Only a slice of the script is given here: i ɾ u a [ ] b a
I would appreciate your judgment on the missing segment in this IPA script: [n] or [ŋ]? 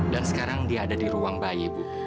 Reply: ŋ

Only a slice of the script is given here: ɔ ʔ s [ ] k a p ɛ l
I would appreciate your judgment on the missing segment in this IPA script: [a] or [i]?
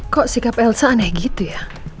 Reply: i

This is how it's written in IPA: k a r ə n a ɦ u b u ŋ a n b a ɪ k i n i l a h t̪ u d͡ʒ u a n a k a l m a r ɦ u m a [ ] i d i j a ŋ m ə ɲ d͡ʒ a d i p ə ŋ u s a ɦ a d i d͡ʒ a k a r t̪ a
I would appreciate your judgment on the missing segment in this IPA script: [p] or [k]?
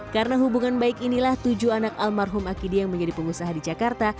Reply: k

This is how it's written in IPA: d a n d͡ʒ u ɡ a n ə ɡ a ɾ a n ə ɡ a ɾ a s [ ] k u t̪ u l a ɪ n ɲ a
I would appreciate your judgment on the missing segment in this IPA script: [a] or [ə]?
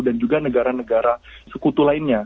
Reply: ə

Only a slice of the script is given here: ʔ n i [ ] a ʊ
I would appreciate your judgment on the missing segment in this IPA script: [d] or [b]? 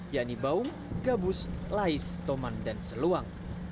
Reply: b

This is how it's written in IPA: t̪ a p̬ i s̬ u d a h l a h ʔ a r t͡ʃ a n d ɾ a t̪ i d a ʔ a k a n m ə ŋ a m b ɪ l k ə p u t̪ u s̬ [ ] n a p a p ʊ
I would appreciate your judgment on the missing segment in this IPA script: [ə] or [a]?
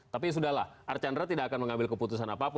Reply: a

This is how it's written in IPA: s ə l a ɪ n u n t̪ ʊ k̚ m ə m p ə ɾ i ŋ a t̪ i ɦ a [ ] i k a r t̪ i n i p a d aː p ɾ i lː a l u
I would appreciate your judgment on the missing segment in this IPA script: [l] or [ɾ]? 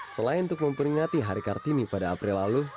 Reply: ɾ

